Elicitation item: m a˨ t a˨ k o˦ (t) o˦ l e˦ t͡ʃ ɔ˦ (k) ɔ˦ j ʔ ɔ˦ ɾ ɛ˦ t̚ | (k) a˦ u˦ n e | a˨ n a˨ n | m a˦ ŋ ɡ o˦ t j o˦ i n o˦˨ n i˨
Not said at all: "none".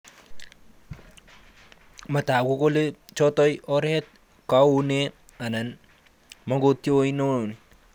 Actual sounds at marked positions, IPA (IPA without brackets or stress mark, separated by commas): k, t, k